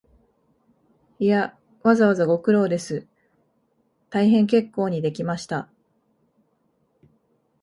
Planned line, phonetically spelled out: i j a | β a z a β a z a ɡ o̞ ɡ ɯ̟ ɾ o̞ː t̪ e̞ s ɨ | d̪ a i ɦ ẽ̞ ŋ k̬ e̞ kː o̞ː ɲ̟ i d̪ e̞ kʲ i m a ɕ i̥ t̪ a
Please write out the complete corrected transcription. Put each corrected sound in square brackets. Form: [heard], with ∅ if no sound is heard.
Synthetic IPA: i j a | β a z a β a z a ɡ o̞ [k] ɯ̟ ɾ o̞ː [d̪] e̞ s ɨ | [t̪] a i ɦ ẽ̞ ŋ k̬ e̞ kː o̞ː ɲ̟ i d̪ e̞ kʲ i m a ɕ i̥ t̪ a